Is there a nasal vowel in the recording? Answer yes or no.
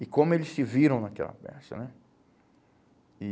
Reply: yes